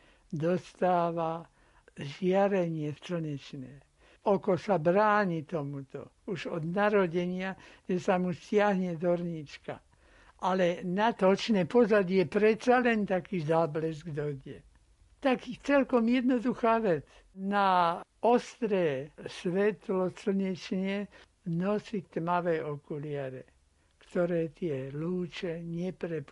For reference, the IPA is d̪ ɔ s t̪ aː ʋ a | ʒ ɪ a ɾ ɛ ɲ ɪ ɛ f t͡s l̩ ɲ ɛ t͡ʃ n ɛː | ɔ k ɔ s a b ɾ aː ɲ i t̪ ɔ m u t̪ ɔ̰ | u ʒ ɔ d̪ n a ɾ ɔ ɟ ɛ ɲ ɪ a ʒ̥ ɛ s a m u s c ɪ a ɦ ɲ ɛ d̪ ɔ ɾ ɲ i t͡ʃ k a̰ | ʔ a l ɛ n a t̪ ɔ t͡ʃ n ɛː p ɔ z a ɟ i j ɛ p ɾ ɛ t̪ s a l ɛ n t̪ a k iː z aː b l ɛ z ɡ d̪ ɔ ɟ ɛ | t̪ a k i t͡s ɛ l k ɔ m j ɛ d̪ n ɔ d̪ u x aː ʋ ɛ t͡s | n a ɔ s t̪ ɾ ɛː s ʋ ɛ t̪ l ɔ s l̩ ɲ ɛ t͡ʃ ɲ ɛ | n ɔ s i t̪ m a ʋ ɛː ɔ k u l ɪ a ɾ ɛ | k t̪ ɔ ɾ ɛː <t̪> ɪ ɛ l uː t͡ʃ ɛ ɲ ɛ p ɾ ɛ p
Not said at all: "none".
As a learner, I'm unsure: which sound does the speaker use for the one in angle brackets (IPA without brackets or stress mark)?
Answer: t̪